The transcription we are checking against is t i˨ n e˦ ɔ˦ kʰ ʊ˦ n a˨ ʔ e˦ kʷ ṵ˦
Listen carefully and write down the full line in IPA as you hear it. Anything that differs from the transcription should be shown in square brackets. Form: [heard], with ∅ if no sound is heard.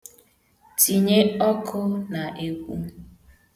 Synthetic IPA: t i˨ [ɲ] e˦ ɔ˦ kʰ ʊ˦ n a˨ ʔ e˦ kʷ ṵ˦